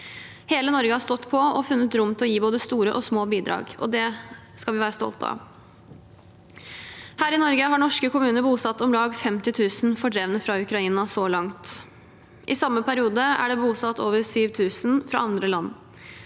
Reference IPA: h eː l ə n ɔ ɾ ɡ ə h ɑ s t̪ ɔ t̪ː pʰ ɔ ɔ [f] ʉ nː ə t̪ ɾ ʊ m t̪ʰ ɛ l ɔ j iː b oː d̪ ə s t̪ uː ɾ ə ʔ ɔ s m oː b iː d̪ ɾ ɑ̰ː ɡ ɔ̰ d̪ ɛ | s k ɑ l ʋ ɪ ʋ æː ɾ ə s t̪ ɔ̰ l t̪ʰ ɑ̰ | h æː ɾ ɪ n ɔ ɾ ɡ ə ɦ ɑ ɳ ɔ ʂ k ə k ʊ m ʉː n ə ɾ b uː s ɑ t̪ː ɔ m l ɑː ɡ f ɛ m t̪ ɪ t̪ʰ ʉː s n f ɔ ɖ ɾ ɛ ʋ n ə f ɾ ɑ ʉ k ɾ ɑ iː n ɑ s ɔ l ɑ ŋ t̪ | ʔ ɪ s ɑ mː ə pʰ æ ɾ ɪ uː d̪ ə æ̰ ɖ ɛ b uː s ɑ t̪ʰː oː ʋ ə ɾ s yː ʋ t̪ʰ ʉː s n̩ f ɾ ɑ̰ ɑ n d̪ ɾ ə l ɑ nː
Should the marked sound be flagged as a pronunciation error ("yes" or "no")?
no